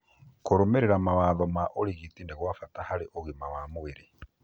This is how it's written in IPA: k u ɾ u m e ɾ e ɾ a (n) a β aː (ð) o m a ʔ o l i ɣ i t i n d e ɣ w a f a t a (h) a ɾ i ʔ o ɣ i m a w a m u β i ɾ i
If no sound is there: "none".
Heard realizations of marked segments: m, ð, h

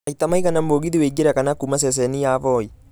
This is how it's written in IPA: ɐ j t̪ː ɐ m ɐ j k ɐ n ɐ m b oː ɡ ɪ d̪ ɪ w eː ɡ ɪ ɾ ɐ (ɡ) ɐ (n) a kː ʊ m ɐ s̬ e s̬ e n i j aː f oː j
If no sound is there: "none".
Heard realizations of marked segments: k, n

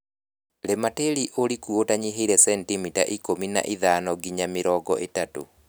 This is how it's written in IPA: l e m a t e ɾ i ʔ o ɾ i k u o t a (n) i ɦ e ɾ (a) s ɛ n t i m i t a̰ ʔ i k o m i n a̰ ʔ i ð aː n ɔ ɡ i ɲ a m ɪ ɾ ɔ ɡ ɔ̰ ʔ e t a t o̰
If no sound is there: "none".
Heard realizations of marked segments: ɲ, ɛ

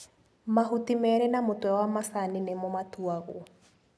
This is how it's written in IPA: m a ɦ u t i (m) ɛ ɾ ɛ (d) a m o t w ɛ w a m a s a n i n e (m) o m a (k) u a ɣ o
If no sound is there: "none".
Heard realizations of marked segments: m, n, m, t

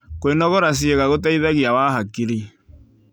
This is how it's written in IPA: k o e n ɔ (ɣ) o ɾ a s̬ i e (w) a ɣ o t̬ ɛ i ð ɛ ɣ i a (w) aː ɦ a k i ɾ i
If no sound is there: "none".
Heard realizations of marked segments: ɣ, ɣ, w

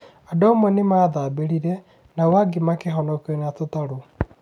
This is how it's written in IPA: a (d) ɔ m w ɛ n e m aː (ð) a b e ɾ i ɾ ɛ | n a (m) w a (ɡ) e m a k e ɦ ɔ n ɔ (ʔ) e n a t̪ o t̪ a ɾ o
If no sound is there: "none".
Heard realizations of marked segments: d, ð, none, ɡ, k

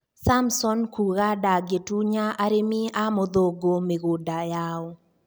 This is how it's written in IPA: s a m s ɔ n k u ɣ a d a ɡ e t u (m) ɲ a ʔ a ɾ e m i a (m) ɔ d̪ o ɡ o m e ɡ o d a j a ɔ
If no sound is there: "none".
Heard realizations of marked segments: none, m

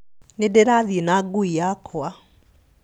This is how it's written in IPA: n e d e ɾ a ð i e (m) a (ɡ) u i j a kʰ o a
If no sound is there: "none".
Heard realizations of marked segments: n, ɡ

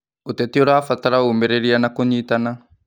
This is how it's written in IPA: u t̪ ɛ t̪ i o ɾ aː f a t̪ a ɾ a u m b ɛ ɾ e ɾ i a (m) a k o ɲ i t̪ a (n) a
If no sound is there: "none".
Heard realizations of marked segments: n, n

